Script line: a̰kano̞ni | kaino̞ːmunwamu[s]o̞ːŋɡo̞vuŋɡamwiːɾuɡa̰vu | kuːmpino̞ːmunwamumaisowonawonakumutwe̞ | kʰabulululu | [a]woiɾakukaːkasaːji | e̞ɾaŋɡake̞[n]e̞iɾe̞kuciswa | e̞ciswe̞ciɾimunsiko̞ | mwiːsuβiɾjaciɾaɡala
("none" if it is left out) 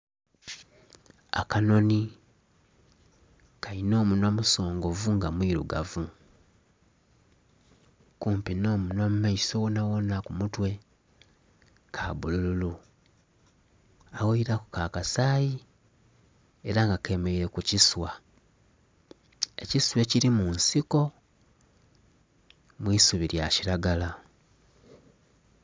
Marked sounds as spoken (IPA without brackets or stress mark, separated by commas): s, a, m